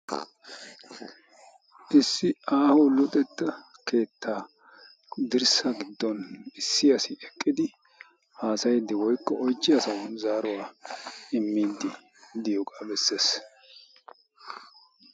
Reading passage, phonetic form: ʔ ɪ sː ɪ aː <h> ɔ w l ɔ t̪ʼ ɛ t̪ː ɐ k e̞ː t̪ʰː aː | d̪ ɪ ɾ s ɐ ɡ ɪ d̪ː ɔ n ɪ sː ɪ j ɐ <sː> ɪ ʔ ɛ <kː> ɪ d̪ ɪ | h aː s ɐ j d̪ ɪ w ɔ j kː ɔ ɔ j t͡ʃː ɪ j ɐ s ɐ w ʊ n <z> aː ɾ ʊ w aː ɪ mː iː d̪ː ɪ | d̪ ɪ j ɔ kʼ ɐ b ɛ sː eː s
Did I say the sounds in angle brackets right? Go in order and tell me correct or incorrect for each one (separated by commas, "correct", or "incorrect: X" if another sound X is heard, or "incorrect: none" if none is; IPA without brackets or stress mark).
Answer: correct, incorrect: s, incorrect: kʼː, correct